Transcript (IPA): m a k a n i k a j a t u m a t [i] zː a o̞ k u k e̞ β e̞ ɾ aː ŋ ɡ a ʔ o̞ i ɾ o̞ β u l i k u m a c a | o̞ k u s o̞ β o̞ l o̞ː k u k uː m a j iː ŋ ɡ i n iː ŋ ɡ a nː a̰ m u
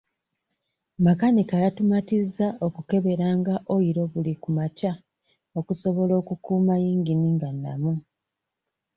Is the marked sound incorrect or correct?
correct